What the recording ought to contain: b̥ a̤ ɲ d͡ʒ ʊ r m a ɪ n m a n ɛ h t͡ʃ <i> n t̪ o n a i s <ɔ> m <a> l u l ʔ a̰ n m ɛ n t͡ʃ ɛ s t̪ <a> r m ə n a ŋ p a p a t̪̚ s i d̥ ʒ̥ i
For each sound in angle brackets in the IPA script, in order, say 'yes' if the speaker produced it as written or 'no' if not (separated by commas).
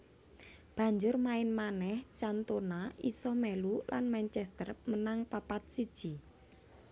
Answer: no, yes, no, no